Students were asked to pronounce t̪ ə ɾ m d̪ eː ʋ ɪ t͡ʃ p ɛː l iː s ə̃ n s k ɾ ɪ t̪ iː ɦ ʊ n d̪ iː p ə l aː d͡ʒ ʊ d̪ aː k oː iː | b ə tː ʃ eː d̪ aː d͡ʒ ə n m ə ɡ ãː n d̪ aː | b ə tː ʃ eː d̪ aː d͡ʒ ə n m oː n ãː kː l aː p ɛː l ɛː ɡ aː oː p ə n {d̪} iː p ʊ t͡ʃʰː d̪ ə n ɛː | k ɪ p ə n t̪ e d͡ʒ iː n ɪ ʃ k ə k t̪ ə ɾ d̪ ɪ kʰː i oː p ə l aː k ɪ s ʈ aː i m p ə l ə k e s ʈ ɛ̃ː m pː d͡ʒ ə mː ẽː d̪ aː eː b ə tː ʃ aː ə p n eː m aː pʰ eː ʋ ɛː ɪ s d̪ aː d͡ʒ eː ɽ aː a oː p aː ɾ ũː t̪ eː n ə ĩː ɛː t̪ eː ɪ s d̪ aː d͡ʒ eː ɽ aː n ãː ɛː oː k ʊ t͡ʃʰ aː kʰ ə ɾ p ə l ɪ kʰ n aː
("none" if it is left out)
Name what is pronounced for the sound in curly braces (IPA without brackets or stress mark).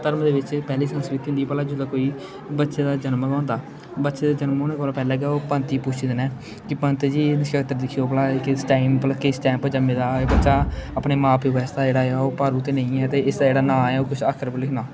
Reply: t̪